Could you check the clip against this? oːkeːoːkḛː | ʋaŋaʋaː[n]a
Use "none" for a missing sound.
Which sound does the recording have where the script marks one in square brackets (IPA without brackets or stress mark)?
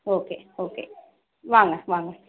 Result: ŋ